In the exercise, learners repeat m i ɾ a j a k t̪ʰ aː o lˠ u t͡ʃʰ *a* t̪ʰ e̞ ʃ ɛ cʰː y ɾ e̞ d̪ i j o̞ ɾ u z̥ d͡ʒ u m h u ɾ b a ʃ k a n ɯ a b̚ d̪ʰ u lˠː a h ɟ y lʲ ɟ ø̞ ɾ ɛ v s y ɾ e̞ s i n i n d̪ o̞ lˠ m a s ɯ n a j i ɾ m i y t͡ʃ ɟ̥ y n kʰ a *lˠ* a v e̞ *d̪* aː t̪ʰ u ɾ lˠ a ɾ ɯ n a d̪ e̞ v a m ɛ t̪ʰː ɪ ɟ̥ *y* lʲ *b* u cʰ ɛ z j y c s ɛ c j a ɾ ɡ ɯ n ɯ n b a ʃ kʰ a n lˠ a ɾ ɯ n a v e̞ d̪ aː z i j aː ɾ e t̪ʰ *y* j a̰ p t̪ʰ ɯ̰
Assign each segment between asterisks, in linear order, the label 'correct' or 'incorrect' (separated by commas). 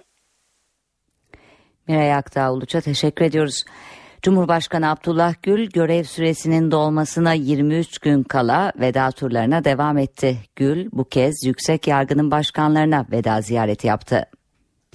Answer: correct, correct, correct, correct, correct, incorrect